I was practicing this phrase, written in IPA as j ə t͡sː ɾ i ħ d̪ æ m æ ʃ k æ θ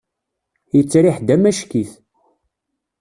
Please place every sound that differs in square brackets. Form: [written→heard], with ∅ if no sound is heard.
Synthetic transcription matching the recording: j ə t͡sː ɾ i ħ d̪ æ m æ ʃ k [æ→i] θ